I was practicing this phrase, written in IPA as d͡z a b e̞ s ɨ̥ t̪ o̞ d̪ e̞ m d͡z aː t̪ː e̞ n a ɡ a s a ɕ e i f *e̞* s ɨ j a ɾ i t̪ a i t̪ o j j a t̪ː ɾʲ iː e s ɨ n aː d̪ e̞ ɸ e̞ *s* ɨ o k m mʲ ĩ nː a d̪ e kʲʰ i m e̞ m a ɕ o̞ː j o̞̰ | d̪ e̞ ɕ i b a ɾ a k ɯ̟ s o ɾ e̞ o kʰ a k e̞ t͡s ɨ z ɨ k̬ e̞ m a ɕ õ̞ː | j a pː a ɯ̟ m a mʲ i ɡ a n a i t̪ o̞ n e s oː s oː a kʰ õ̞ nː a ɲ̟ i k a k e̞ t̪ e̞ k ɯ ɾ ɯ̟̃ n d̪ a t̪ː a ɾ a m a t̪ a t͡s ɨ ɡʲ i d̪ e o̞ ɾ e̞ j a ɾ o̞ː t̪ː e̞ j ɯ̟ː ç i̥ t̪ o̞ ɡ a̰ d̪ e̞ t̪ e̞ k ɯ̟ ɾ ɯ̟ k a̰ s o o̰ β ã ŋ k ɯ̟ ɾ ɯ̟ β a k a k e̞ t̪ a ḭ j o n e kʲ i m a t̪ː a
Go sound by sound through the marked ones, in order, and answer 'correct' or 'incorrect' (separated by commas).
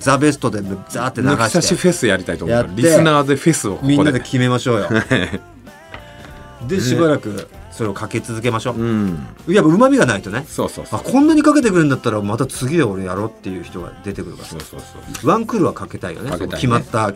correct, correct